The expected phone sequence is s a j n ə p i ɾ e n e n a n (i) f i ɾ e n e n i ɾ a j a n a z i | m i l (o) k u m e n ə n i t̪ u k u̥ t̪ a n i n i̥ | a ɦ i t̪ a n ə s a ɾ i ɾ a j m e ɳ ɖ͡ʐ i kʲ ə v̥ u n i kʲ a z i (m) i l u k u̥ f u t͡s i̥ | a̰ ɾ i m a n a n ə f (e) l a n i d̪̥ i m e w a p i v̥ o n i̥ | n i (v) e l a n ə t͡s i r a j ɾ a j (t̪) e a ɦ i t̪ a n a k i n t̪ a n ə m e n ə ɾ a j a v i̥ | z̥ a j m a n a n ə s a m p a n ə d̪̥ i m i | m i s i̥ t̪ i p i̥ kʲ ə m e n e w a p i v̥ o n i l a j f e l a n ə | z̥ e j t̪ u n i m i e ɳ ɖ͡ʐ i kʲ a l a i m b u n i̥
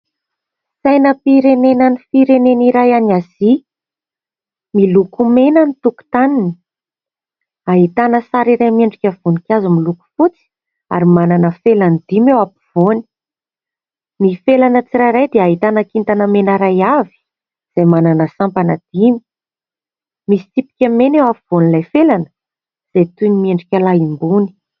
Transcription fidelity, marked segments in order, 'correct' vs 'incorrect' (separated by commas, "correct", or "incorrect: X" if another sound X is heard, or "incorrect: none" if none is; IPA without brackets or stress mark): correct, incorrect: u, correct, correct, incorrect: f, incorrect: d̪